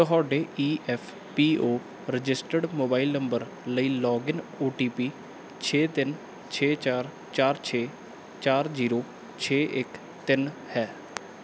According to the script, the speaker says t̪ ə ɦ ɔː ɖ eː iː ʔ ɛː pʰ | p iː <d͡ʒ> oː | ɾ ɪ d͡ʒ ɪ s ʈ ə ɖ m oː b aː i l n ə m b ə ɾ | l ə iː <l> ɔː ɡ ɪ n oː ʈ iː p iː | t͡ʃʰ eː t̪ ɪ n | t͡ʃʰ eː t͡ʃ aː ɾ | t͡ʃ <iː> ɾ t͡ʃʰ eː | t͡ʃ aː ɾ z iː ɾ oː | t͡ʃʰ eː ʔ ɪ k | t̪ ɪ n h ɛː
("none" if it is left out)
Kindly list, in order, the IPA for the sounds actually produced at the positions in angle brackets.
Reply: none, l, aː

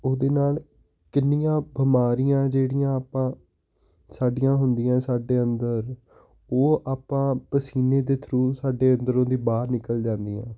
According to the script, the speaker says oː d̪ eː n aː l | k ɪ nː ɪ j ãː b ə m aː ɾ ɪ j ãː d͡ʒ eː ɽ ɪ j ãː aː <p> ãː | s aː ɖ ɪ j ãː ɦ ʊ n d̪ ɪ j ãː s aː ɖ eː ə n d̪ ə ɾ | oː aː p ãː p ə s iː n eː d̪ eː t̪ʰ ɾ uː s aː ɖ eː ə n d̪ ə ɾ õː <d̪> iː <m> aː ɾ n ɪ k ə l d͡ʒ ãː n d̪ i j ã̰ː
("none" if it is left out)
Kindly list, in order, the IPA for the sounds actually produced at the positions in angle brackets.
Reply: p, d̪, b

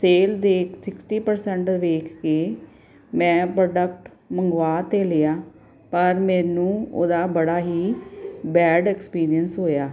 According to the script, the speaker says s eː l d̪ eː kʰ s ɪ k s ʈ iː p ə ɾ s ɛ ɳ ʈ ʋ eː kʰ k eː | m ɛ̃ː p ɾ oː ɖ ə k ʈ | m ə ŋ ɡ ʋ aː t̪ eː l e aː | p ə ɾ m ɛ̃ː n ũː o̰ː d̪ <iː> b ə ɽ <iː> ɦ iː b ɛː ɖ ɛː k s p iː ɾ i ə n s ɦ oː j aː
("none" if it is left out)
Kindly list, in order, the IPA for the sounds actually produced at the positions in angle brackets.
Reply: aː, aː

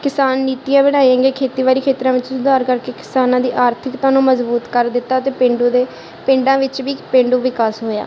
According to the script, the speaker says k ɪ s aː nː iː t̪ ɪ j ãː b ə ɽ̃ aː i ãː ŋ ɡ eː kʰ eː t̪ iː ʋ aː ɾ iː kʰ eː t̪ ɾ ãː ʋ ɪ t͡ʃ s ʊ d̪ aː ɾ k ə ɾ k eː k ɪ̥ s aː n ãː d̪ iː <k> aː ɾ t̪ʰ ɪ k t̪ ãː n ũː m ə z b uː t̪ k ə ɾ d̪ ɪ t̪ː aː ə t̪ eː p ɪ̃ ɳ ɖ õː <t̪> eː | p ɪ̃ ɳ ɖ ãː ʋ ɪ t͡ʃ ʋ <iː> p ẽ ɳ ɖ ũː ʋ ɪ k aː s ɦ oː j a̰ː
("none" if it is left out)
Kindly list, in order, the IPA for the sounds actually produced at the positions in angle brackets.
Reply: ʔ, d̪, iː

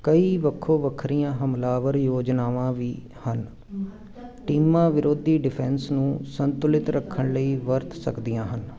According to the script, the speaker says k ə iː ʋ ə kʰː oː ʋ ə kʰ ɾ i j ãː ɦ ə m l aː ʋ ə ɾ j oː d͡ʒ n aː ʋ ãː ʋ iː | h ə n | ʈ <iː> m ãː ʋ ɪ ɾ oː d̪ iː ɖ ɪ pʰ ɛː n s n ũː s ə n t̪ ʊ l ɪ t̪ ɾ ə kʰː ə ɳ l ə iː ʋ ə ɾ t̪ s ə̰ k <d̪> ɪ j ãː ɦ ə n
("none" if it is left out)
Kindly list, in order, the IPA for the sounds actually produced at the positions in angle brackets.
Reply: iː, d̪

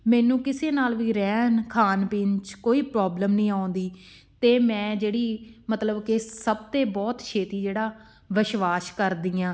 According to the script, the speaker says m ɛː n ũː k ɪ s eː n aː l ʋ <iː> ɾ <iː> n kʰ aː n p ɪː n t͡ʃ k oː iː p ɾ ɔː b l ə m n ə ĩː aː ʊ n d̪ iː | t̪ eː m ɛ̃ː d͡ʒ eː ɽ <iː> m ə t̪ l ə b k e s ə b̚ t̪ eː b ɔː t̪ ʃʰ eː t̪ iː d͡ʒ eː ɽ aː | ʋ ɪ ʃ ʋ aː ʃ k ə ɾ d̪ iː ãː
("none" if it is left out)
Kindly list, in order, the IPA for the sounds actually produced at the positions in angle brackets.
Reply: iː, ɛː, iː

